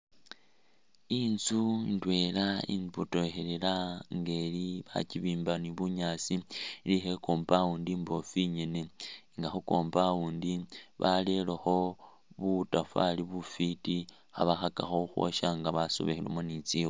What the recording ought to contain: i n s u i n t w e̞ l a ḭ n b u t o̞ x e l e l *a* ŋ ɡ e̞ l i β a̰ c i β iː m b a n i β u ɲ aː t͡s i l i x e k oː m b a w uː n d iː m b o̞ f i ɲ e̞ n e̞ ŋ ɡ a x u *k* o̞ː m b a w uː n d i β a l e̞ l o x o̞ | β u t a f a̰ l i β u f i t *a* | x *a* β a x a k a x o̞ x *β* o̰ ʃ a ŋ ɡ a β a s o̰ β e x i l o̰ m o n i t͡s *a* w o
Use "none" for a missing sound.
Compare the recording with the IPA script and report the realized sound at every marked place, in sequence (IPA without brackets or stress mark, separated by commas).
a, k, i, a, w, i